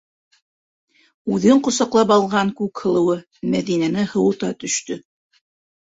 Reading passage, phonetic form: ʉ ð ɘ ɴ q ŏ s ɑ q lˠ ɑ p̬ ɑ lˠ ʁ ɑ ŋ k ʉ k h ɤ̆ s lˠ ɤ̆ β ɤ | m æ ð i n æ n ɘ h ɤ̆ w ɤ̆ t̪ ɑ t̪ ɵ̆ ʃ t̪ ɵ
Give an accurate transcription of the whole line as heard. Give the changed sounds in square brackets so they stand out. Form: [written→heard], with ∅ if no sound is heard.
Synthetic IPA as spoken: ʉ ð ɘ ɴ q ŏ s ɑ q lˠ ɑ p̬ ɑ lˠ ʁ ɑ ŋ k ʉ k h ɤ̆ [s→∅] lˠ ɤ̆ [β→w] ɤ | m æ ð i n æ n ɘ h ɤ̆ w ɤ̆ t̪ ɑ t̪ ɵ̆ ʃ t̪ ɵ